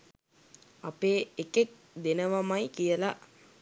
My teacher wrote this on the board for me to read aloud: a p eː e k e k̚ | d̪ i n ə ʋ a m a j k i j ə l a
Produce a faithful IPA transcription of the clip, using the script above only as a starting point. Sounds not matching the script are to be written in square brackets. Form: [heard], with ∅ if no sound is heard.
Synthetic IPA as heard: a p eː e k e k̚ | d̪ [e] n ə ʋ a m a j k i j ə l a